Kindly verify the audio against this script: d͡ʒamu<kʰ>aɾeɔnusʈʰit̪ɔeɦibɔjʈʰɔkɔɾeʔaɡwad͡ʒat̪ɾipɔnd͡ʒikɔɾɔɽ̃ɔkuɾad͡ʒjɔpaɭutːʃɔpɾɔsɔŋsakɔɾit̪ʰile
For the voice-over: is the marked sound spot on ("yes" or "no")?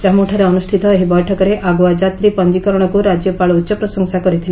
no